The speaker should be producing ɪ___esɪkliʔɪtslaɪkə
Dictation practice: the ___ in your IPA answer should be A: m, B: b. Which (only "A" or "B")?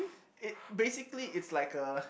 B